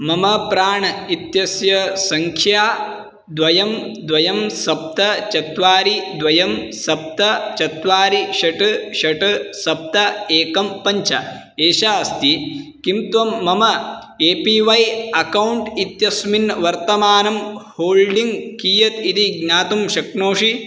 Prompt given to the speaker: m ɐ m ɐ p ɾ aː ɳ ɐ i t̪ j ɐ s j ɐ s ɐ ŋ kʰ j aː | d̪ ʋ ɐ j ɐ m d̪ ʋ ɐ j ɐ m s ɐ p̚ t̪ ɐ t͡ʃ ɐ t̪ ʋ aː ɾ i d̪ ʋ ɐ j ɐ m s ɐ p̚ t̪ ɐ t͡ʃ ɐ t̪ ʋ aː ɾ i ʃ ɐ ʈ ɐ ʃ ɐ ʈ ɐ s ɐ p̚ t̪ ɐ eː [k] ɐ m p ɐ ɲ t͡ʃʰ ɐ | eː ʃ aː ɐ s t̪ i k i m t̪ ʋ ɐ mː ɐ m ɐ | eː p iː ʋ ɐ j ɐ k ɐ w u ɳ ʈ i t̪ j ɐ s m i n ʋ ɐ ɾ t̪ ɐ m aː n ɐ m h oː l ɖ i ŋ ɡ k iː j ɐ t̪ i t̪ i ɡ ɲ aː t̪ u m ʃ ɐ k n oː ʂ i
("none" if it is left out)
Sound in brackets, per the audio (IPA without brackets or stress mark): k